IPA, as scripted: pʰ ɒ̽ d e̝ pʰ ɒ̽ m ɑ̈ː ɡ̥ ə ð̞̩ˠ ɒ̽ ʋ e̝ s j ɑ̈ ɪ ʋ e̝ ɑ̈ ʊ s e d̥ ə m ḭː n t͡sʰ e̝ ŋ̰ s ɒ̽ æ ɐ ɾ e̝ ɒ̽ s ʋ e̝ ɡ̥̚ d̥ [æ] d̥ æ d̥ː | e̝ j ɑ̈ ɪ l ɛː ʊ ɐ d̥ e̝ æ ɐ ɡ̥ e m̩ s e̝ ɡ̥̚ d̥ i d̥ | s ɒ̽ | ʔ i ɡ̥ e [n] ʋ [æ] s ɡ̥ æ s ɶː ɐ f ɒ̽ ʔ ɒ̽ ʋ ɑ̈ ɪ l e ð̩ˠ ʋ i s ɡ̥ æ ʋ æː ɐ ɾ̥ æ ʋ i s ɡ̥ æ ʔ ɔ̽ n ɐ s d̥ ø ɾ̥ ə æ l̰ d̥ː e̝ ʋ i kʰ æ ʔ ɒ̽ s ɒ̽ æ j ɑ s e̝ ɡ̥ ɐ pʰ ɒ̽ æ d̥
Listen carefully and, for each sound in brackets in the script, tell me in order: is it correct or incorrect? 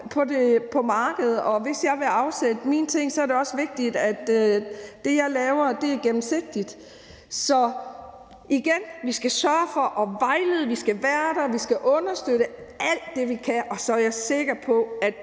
incorrect: i, correct, incorrect: i

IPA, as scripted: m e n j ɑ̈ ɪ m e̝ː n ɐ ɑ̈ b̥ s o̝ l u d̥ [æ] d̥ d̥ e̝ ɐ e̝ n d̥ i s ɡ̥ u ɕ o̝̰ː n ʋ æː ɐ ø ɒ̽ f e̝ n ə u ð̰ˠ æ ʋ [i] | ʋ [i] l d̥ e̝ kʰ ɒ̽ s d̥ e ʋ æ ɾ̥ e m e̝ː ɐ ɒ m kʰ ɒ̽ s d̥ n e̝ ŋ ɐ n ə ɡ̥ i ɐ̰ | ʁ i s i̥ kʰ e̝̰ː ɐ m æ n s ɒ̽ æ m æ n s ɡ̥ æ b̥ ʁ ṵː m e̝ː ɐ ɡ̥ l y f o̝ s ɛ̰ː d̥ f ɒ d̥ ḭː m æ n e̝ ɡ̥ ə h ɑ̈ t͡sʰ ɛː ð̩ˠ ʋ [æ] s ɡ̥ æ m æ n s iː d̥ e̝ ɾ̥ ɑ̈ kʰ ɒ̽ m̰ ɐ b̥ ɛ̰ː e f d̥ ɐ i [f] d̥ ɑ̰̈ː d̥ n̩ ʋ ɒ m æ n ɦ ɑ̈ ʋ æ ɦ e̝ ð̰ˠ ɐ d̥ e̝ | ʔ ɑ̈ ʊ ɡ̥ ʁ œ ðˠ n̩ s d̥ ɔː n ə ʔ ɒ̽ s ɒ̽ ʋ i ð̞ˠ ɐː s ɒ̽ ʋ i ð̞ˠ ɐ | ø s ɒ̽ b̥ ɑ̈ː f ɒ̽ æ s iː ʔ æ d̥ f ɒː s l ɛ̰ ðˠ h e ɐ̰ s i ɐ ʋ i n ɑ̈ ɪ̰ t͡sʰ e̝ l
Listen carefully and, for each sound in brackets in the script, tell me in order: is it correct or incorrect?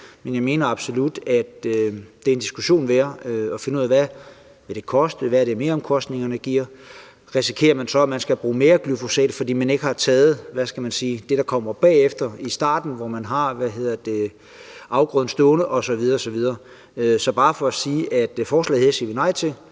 correct, incorrect: æ, incorrect: e, correct, incorrect: s

